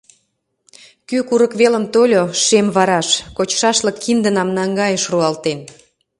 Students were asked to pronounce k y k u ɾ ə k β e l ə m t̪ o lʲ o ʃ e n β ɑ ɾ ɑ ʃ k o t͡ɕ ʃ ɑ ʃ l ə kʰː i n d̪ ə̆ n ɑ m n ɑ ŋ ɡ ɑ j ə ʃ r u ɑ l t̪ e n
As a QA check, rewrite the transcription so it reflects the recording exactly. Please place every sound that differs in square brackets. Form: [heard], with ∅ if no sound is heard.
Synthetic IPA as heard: k y k u ɾ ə k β e l ə m t̪ o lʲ o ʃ e [m] β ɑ ɾ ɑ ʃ k o t͡ɕ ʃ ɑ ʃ l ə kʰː i n d̪ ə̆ n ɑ m n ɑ ŋ ɡ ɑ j ə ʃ r u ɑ l t̪ e n